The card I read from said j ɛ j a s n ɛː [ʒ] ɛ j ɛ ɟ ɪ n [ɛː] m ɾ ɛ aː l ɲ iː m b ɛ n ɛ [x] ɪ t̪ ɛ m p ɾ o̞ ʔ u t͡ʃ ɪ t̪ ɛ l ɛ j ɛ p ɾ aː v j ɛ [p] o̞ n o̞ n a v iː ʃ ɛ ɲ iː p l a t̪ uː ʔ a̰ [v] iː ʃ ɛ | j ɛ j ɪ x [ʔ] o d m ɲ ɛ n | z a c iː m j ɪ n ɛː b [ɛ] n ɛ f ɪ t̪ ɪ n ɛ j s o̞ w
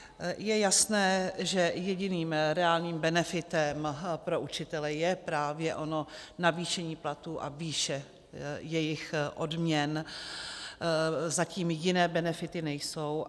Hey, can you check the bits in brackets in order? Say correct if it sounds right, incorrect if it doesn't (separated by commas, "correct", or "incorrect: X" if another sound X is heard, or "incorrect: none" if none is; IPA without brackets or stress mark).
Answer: correct, incorrect: iː, incorrect: f, incorrect: ʔ, correct, correct, correct